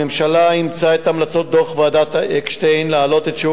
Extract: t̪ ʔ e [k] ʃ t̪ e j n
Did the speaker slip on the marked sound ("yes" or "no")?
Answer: no